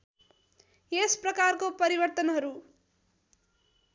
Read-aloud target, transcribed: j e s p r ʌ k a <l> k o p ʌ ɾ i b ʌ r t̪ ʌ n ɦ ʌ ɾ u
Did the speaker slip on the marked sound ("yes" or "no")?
yes